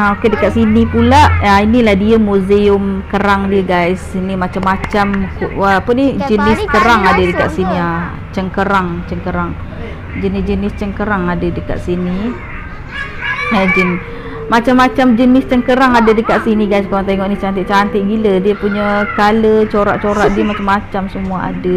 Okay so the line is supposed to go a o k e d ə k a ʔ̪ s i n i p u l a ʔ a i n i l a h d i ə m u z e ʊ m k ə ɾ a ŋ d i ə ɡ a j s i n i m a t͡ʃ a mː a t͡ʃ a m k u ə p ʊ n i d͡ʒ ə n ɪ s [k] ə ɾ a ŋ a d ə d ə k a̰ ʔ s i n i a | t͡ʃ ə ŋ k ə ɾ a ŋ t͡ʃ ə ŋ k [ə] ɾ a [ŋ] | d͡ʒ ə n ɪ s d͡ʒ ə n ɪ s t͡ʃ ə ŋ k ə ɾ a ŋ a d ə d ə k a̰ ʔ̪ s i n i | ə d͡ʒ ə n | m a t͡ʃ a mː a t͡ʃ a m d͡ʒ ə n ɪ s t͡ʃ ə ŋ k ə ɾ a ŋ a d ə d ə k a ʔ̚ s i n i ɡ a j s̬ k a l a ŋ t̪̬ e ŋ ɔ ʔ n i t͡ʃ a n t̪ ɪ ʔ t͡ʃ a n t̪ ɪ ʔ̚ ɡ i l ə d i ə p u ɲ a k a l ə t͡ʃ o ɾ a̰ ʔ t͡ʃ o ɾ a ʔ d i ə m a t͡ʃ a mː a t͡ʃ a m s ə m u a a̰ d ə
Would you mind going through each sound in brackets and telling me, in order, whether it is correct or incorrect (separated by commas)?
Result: correct, correct, correct